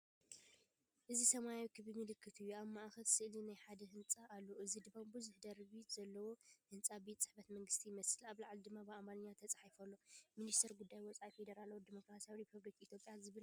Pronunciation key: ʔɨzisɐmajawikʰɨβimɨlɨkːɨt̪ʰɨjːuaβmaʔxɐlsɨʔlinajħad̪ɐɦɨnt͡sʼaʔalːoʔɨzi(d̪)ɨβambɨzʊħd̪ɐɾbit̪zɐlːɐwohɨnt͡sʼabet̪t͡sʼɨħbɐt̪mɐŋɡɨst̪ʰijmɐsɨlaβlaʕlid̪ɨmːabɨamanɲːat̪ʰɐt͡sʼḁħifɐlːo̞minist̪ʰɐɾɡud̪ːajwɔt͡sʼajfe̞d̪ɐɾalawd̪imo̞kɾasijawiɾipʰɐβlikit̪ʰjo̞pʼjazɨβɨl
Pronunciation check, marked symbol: correct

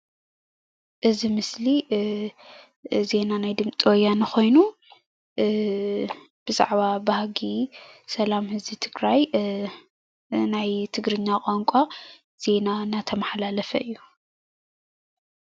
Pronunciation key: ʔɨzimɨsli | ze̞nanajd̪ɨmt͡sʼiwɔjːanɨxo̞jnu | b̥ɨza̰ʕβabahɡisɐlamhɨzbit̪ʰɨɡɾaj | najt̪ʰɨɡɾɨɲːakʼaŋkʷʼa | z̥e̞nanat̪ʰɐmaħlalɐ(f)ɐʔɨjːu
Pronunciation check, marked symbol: correct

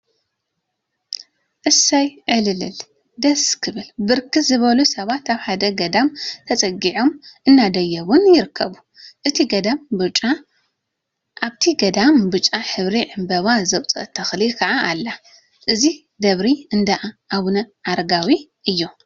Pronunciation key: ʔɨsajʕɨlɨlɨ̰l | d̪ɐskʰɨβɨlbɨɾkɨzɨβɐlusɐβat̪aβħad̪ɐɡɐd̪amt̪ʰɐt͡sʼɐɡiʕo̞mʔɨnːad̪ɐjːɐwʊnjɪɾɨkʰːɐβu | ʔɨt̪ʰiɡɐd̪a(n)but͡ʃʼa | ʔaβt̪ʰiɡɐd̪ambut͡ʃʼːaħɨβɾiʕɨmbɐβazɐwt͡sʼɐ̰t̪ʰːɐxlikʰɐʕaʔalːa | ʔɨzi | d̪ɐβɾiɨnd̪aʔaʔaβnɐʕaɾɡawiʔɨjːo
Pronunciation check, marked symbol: incorrect: m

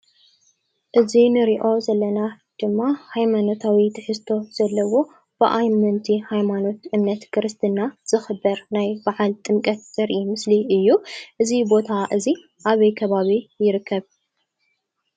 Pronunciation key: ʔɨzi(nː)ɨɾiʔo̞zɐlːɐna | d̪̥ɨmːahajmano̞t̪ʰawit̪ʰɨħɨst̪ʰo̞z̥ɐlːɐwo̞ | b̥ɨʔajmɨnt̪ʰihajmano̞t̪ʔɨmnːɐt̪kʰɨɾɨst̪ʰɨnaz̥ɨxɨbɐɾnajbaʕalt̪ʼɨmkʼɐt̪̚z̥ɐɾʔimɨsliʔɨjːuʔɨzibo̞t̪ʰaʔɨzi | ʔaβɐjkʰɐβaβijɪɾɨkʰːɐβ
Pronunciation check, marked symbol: incorrect: n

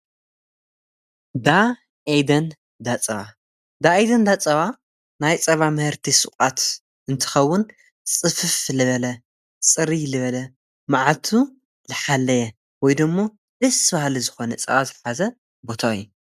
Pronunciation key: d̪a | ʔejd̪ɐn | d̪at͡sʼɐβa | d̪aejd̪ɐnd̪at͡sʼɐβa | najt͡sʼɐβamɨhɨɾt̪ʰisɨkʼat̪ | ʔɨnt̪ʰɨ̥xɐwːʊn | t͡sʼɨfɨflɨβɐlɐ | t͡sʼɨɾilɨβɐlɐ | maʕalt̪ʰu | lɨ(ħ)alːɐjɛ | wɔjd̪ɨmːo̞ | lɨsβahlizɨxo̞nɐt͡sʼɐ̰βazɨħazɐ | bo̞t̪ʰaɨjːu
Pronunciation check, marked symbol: correct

